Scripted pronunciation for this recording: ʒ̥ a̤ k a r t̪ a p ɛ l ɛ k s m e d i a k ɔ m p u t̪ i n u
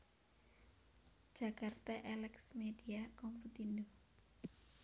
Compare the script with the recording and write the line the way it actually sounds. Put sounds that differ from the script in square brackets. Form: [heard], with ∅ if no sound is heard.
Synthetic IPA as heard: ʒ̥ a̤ k a r t̪ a [ʔ] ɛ l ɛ k s m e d i a k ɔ m p u t̪ i n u